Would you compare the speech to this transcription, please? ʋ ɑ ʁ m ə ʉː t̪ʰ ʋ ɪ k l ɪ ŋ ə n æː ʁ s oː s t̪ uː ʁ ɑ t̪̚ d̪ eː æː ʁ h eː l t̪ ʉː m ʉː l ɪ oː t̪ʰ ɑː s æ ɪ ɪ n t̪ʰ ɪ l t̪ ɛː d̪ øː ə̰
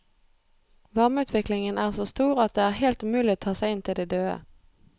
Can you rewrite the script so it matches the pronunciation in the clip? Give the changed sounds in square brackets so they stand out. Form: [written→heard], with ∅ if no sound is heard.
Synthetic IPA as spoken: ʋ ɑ ʁ m ə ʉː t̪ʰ ʋ ɪ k l ɪ ŋ ə n æː ʁ s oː s t̪ uː ʁ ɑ t̪̚ d̪ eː æː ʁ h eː l t̪ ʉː m ʉː l ɪ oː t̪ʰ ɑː s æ ɪ ɪ n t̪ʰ ɪ l [t̪→d̪] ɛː d̪ øː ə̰